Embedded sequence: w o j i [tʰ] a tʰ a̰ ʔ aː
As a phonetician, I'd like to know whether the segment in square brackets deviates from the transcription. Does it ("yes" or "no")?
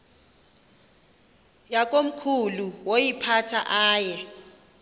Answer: yes